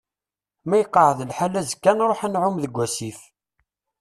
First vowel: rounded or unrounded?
unrounded